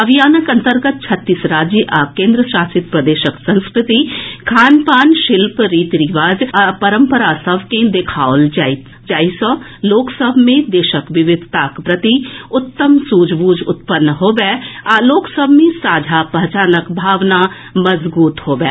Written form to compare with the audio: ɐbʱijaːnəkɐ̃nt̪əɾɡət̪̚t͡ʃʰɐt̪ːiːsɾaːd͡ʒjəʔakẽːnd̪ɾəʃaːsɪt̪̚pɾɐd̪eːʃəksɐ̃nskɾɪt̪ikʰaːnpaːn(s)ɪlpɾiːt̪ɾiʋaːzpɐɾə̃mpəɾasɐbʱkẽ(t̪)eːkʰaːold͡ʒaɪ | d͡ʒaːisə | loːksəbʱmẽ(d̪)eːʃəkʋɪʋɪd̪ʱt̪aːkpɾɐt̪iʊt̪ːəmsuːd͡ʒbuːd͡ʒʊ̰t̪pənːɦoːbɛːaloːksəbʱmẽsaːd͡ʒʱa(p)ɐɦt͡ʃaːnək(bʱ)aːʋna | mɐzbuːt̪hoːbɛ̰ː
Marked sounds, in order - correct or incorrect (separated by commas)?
incorrect, incorrect, correct, correct, correct